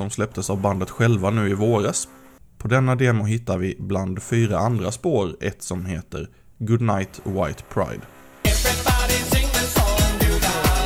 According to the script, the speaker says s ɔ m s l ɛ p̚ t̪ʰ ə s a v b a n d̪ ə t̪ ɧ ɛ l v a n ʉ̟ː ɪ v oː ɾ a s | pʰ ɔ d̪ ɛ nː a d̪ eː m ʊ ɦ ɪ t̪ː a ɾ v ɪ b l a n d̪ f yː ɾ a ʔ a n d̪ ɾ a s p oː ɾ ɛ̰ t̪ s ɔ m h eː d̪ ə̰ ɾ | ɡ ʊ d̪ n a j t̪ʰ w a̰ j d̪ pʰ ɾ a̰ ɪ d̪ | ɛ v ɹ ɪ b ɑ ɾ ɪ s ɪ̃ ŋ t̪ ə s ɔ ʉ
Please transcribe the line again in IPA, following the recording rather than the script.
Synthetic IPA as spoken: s ɔ m s l ɛ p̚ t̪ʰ ə s a v b a n d̪ ə t̪ ɧ ɛ l v a n ʉ̟ː ɪ v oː ɾ a s | pʰ ɔ d̪ ɛ nː a d̪ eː m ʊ ɦ ɪ t̪ː a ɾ v ɪ b l a n d̪ f yː ɾ a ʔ a n d̪ ɾ a s p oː ɾ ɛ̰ t̪ s ɔ m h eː t̪ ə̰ ɾ | ɡ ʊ d̪ n a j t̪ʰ w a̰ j t̪ pʰ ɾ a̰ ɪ d̪ | ɛ v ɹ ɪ b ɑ ɾ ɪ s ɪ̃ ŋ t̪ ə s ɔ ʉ